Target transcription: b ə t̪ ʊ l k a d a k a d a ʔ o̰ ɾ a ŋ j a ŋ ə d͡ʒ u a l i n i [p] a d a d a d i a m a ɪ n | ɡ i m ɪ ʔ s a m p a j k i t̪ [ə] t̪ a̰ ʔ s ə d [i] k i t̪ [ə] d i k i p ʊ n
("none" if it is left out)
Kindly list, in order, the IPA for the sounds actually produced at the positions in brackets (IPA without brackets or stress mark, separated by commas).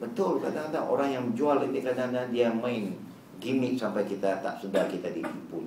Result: k, a, a, a